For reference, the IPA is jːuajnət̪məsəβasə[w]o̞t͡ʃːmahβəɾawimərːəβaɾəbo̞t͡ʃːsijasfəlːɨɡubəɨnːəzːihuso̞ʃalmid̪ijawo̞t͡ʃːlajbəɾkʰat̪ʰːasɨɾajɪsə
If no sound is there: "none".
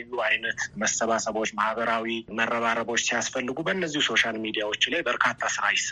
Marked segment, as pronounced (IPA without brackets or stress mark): β